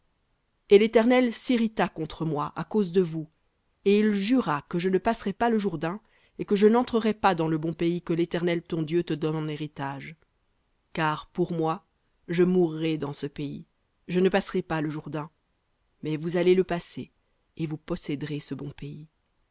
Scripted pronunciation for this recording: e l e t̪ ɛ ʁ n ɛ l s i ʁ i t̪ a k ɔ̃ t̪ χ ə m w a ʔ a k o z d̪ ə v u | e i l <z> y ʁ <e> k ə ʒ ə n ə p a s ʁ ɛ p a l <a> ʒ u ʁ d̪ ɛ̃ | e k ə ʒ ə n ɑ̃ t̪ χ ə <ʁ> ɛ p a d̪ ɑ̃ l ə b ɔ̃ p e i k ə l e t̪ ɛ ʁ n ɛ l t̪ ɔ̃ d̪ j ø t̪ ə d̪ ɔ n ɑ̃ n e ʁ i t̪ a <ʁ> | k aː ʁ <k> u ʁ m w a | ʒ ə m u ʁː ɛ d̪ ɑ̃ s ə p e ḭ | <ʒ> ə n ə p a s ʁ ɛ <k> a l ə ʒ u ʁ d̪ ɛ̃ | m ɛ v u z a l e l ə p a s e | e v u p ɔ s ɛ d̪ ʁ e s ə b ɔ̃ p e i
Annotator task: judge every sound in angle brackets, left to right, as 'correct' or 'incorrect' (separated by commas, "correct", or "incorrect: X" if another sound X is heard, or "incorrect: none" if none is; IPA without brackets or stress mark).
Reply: incorrect: ʒ, incorrect: a, incorrect: ə, correct, incorrect: ʒ, incorrect: p, correct, incorrect: p